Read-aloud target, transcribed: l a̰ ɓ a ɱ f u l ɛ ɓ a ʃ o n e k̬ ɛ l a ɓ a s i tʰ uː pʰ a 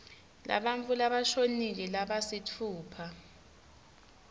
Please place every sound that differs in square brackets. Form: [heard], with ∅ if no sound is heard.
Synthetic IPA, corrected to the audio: l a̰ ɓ a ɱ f u l [a] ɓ a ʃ o n [i] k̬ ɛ l a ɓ a s i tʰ uː pʰ a

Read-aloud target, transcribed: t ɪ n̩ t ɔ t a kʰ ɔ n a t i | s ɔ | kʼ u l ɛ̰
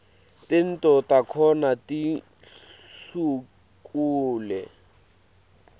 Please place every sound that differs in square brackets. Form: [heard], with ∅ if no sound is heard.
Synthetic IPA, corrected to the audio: t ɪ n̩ t ɔ t a kʰ ɔ n a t i | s [u] | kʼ [uː] l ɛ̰

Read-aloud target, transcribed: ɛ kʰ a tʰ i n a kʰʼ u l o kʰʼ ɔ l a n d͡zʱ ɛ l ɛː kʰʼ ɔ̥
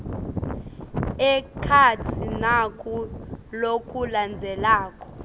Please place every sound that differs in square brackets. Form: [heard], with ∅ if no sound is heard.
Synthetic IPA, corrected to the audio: ɛ kʰ a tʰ i n a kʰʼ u l o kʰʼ [u] l a n d͡zʱ ɛ l [aː] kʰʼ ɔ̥

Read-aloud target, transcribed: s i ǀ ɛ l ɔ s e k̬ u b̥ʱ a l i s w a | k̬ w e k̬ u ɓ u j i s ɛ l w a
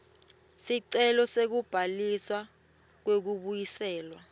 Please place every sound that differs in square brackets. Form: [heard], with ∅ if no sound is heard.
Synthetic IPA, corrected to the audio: s i ǀ ɛ l ɔ s e k̬ u b̥ʱ a l i s w a | k̬ w e k̬ u ɓ u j i s [ɛː] l w a

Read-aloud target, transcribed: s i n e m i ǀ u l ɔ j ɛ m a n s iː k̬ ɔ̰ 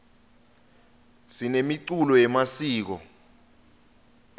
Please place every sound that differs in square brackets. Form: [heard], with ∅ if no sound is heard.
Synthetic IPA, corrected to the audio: s i n e m i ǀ u l ɔ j ɛ m a [∅] s iː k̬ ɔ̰

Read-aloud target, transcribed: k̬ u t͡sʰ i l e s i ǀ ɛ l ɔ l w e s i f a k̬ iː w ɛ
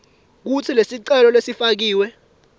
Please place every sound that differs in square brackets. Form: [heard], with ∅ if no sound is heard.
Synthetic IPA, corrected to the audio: k̬ u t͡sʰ i l e s i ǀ ɛ l ɔ l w e s i f a k̬ iː w ɛ

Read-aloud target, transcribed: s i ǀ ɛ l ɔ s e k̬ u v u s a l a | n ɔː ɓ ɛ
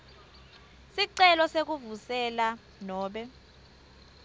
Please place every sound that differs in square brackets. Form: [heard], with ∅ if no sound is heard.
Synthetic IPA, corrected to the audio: s i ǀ ɛ l ɔ s e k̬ u v u s [ɛ] l a | n ɔː ɓ ɛ

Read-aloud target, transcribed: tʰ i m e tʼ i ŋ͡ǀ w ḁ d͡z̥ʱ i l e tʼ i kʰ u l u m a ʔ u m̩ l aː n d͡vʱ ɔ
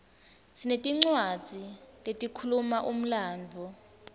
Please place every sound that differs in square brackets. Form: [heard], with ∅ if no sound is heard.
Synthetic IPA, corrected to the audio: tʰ i [n] e tʼ i ŋ͡ǀ w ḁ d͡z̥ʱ i l e tʼ i kʰ u l u m a ʔ u m̩ l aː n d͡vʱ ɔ

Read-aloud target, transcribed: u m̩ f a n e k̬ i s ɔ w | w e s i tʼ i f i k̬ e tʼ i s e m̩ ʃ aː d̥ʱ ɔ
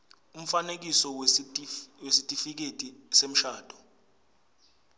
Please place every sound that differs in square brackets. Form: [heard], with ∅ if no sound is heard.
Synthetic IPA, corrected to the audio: u m̩ f a n e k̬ i s ɔ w | w e s i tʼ i f i k̬ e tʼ i s e m̩ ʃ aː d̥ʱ ɔ

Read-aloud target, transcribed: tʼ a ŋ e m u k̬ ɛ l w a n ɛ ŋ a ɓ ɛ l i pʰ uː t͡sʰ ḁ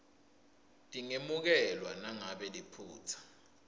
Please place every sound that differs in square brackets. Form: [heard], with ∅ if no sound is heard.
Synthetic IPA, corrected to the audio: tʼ [i] ŋ e m u k̬ ɛ l w a n [a] ŋ a ɓ ɛ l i pʰ uː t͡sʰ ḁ

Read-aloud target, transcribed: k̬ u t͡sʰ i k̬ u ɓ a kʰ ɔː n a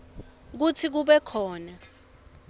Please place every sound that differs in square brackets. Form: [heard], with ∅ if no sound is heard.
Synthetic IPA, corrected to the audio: k̬ u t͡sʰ i k̬ u ɓ [ɛ] kʰ ɔː n a

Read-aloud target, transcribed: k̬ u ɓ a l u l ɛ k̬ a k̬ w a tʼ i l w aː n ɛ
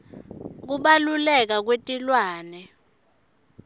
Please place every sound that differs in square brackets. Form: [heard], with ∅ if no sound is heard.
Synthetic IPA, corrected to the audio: k̬ u ɓ a l u l ɛ k̬ a k̬ w [e] tʼ i l w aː n ɛ

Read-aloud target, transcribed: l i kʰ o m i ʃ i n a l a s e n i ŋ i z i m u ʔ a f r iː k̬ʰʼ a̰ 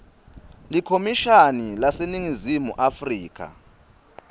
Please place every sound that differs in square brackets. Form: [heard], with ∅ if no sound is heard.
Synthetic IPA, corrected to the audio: l i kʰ o m i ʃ [a] n [i] l a s e n i ŋ i z i m u ʔ a f r iː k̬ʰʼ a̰

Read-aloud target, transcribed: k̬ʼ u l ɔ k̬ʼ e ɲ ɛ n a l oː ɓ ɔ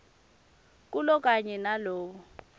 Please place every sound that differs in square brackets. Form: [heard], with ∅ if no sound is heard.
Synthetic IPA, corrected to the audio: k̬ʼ u l ɔ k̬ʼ [a] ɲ ɛ n a l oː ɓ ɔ

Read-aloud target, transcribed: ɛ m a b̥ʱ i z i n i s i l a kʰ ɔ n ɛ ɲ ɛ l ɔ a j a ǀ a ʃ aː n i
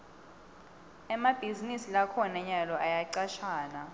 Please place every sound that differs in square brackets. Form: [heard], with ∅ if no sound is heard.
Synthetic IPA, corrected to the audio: ɛ m a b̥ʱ i z i n i s i l a kʰ ɔ n ɛ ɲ [a] l ɔ a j a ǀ a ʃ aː n [a]

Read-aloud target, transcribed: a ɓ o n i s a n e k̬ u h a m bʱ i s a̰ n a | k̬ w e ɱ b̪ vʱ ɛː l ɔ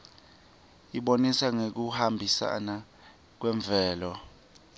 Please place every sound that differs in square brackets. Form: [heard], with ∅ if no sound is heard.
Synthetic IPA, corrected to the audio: [i] ɓ o n i s a [ŋ] e k̬ u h a m bʱ i s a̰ n a | k̬ w [ɛ] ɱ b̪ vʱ ɛː l ɔ

